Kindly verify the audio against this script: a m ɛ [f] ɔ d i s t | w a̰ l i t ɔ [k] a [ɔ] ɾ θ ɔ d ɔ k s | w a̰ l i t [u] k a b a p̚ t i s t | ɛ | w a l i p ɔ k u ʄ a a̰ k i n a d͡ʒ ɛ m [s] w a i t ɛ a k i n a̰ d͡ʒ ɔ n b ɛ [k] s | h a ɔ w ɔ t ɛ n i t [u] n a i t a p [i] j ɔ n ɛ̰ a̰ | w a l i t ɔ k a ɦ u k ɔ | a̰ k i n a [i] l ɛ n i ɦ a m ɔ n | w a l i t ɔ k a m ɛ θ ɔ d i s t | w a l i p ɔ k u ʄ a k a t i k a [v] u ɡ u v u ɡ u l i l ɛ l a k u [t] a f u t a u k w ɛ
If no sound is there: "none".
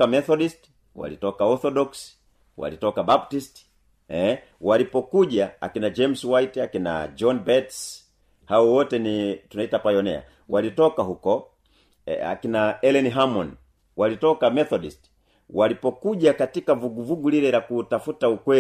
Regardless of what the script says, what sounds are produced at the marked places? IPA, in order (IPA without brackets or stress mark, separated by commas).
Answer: θ, k, ɔ, ɔ, s, t, u, a, ɛ, v, t